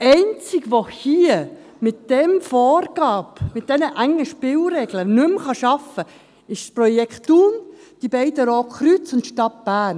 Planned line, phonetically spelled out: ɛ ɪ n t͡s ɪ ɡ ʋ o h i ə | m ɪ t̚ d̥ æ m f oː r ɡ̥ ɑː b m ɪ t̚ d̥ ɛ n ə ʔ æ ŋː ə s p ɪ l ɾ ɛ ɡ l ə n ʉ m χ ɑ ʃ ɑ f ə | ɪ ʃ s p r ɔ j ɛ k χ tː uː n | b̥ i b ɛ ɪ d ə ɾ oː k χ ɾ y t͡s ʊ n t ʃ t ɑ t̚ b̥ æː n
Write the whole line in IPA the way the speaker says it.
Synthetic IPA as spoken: ɛ ɪ n t͡s ɪ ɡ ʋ o h i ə | m ɪ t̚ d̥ ɛ m f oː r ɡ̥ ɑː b m ɪ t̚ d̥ ɛ n ə ʔ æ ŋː ə ʃ p ɪ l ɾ ɛ ɡ l ə n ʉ m χ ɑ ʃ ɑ f ə | ɪ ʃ s p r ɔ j ɛ k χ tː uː n | d̥ i b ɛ ɪ d ə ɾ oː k χ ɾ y t͡s ʊ n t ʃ t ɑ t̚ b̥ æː n